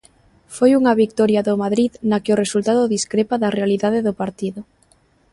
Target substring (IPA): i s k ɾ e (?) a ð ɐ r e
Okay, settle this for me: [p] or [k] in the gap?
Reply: p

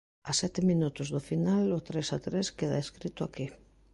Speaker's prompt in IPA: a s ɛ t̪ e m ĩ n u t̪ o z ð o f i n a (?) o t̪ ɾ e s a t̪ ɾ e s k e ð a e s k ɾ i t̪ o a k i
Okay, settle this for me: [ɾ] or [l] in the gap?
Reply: l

